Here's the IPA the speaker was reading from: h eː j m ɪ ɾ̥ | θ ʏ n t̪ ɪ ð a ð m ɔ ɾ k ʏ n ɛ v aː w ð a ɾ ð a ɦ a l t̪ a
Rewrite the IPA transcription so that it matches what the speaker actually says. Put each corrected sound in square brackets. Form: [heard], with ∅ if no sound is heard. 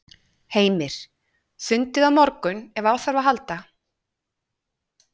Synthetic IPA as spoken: h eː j m ɪ ɾ̥ | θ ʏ n t̪ ɪ ð a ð m ɔ ɾ k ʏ n ɛ v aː w [θ] a ɾ [v] a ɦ a l t̪ a